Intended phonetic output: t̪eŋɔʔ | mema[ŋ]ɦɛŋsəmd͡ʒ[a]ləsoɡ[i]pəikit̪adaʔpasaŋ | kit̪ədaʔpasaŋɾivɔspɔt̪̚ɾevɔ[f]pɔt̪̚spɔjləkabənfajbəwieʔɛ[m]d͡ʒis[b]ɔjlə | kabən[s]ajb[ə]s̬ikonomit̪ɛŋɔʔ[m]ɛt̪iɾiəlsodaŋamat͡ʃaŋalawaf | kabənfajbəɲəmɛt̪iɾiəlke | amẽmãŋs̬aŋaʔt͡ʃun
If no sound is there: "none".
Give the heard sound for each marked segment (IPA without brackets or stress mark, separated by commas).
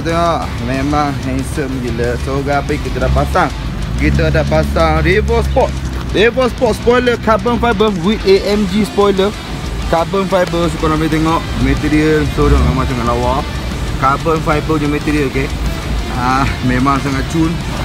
ŋ, i, a, s, m, p, f, ə, m